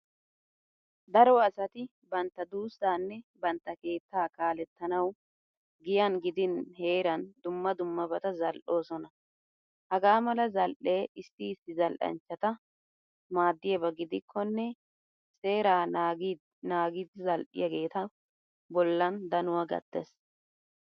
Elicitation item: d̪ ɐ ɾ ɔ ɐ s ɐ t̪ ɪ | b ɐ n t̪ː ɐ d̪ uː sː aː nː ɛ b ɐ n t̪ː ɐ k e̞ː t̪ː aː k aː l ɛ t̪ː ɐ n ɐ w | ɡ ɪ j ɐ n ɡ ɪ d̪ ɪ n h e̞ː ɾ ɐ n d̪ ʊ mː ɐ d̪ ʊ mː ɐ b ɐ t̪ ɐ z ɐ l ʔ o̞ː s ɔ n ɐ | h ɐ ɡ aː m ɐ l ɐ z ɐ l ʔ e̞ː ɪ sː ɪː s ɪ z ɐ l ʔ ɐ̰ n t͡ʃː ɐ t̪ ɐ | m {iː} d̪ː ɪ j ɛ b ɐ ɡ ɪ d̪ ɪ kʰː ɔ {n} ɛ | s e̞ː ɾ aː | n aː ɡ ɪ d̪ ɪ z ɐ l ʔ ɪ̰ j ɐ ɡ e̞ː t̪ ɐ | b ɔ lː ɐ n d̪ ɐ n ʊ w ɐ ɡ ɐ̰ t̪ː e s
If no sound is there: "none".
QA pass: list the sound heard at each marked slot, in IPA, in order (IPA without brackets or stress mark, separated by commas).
aː, nː